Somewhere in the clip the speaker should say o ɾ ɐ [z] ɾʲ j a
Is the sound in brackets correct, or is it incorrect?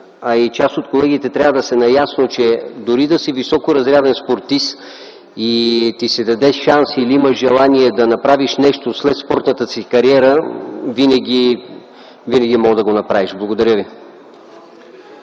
correct